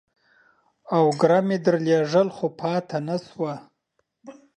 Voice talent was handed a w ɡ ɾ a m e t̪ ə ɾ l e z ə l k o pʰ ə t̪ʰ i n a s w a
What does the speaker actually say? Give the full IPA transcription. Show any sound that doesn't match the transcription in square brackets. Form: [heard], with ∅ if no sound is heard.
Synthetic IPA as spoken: a w ɡ ɾ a m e [d̪] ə ɾ l e [ʐ] ə l [x] o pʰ [ɑ] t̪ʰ [a] n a s w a